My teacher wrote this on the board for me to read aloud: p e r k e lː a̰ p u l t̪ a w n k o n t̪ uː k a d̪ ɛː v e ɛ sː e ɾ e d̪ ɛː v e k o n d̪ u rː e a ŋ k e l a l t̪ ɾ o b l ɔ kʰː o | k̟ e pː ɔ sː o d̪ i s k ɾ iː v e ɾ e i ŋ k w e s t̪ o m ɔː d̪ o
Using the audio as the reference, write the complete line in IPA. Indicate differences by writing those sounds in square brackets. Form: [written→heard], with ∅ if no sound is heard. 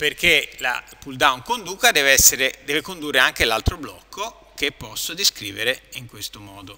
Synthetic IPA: p e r k e [lː→l] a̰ p u l [t̪→d̪] a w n k o n [t̪→d̪] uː k a d̪ ɛː v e ɛ sː e ɾ e d̪ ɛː v e k o n d̪ u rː e a ŋ k e l a l t̪ ɾ o b l ɔ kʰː o | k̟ e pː ɔ sː o d̪ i s k ɾ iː v e ɾ e i ŋ k w e s t̪ o m ɔː d̪ o